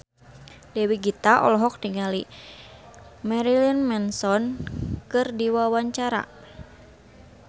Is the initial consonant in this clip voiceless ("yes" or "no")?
no